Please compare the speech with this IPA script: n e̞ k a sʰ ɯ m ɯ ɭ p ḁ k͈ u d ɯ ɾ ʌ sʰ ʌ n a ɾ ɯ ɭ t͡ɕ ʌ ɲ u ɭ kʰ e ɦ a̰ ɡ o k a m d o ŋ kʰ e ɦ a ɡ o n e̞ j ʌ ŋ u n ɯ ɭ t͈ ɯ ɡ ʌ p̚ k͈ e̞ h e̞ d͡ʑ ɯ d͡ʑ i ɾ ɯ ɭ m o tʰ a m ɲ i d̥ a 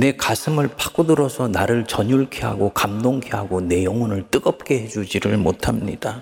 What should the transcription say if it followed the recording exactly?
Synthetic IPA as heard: n e̞ k a sʰ ɯ m ɯ ɭ p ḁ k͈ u d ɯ ɾ ʌ sʰ ʌ n a ɾ ɯ ɭ t͡ɕ ʌ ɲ u ɭ kʰ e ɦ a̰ ɡ o k a m d o ŋ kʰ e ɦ a ɡ o n e̞ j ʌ ŋ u n ɯ ɭ t͈ ɯ ɡ ʌ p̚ k͈ e̞ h e̞ d͡ʑ u d͡ʑ i ɾ ɯ ɭ m o tʰ a m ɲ i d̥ a